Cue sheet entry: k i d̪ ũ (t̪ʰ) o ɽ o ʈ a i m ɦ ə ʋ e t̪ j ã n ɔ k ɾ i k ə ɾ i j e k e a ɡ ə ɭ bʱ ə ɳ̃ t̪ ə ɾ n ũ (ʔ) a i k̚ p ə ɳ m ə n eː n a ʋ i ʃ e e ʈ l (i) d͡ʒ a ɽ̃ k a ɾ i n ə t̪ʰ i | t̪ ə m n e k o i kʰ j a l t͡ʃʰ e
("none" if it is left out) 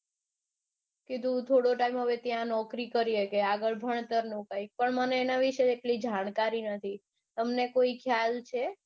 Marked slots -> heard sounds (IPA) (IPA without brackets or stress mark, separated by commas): t̪ʰ, k, i